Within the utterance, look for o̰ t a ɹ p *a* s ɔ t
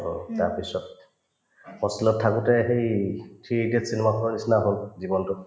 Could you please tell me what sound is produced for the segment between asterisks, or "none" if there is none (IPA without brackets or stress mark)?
i